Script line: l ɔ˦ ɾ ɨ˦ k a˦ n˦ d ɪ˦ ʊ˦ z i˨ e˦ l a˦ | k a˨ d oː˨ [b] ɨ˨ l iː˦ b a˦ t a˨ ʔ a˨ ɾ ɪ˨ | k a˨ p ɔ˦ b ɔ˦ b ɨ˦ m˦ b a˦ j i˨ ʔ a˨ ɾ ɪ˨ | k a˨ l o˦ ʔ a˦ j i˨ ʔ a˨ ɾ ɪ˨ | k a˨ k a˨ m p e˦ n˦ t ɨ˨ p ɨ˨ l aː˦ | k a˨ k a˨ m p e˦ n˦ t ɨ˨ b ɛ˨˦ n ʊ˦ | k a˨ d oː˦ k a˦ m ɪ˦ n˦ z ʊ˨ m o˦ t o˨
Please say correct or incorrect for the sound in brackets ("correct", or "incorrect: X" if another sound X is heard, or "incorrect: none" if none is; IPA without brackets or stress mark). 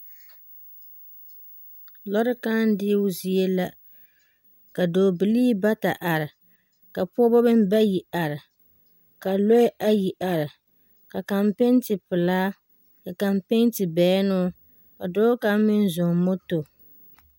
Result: correct